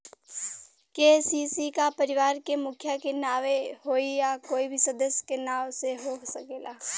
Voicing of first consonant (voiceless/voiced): voiceless